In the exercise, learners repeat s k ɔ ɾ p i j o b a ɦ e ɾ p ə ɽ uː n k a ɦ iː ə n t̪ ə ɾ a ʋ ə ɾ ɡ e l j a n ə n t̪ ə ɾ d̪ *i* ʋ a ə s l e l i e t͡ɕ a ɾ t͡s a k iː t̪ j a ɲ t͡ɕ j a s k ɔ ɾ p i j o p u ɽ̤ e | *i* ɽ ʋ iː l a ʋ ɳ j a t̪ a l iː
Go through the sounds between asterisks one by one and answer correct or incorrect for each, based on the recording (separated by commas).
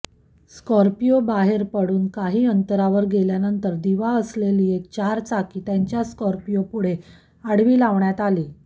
correct, incorrect